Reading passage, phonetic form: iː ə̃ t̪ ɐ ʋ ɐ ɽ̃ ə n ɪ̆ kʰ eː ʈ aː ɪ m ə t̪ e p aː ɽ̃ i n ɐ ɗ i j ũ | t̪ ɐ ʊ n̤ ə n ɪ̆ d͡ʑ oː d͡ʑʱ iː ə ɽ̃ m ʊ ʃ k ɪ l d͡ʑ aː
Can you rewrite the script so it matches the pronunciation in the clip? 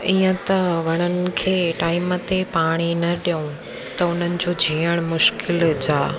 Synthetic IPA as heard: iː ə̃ t̪ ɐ ʋ ɐ ɽ̃ ə n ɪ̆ kʰ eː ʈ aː ɪ m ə t̪ e p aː ɽ̃ i n ɐ ɗ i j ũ | t̪ ɐ ʊ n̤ ə n ɪ̆ d͡ʑ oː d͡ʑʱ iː ə ɽ̃ m ʊ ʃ k ɪ l d͡ʑ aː